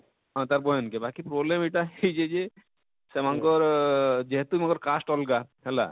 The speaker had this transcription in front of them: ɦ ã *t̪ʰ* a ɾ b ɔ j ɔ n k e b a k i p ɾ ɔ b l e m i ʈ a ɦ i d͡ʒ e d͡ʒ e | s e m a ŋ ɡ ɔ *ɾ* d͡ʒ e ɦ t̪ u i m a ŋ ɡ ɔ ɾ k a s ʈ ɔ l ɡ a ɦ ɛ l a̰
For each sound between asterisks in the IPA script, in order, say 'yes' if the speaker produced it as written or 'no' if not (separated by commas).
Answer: no, yes